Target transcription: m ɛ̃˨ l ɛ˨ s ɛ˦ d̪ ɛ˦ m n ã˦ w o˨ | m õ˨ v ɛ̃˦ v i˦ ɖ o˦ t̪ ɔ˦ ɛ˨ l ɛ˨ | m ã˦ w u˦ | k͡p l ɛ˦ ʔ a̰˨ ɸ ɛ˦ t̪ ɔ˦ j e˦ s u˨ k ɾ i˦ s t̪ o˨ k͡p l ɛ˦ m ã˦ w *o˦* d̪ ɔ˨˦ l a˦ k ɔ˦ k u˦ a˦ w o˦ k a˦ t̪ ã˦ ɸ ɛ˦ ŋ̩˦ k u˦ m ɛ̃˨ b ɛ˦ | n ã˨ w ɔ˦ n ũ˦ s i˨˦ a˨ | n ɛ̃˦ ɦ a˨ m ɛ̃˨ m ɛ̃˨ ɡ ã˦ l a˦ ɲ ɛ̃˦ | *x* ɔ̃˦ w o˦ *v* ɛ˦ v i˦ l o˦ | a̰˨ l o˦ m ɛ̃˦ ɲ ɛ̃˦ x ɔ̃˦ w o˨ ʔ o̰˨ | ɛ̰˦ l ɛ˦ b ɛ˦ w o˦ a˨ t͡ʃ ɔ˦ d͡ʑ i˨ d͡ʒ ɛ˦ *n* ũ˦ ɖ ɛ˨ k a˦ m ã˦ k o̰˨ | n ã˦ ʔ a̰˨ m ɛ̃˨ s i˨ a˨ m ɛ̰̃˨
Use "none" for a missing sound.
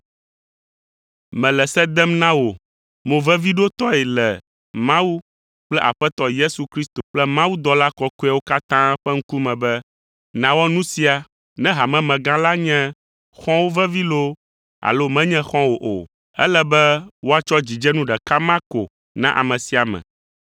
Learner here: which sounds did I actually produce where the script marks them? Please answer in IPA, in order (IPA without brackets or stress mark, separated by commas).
u˦, x, v, n